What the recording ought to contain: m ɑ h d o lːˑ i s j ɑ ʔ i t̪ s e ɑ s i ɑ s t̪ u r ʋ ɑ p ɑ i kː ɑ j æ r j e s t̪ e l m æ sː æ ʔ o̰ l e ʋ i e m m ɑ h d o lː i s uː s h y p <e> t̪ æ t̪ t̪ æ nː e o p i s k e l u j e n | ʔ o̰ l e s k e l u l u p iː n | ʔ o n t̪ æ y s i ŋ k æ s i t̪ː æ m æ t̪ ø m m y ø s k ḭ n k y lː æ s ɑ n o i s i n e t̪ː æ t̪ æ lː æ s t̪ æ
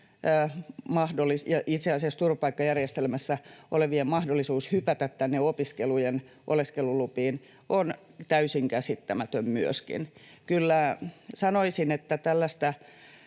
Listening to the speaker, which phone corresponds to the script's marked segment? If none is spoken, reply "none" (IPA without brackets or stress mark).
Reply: æ